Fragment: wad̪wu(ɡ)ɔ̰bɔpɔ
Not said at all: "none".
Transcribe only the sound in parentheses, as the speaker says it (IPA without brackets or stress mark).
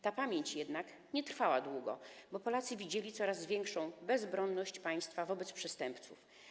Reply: ɡ